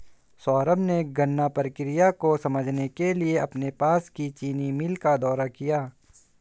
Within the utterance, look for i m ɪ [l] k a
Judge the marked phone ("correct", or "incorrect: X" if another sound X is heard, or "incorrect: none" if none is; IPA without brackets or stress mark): correct